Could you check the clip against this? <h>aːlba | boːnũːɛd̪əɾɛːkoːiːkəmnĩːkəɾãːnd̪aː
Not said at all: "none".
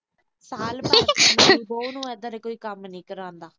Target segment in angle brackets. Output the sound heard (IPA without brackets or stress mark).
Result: s